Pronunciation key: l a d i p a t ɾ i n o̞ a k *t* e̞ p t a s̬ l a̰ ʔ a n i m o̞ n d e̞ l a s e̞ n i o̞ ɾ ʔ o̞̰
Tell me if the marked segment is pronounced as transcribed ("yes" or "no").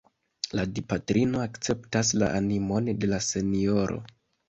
no